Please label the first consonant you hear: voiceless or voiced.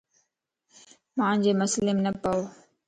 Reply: voiced